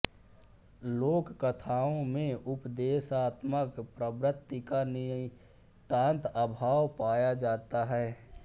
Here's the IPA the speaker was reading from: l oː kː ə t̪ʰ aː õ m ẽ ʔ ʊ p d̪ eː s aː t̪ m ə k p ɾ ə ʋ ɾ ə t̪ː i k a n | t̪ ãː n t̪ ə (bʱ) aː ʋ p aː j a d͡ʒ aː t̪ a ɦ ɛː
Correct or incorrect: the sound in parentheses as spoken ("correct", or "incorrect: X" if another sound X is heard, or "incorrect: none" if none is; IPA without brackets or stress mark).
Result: correct